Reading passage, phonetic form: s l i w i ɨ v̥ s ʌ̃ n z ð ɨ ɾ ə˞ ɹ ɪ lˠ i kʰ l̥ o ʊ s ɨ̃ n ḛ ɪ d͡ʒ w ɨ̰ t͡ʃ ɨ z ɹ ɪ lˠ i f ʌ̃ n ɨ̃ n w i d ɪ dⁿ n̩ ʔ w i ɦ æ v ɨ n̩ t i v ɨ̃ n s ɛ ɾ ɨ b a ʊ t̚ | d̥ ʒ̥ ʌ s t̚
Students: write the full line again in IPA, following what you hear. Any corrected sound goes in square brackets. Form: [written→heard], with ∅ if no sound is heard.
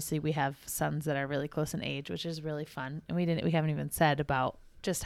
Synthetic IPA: s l i w i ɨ v̥ s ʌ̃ n z ð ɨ ɾ ə˞ ɹ ɪ lˠ i kʰ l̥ o ʊ s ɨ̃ n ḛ ɪ d͡ʒ w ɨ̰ t͡ʃ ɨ z ɹ ɪ lˠ i f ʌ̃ n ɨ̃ n w i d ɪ dⁿ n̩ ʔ w i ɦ æ v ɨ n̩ t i v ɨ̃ n s ɛ ɾ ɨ b a ʊ t̚ | d̥ ʒ̥ ʌ s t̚